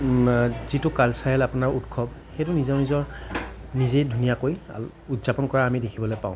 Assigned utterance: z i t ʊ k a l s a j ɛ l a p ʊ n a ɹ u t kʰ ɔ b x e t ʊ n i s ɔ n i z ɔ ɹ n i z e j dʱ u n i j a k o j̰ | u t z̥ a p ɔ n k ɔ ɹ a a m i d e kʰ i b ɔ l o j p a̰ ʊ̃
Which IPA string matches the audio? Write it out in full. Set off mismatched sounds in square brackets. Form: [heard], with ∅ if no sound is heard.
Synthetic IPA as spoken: z i t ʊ k a l s a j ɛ l a p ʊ n a ɹ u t kʰ ɔ b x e t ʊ n i [z] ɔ n i z ɔ ɹ n i z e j dʱ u n i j a k o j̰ | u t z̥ a p ɔ n k ɔ ɹ a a m i d e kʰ i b ɔ l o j p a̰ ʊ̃